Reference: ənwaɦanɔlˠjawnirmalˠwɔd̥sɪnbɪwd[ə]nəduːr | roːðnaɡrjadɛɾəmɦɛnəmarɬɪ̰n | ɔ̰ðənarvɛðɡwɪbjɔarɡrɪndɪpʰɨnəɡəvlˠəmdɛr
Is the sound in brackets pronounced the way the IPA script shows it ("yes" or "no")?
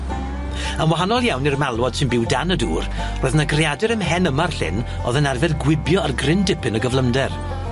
no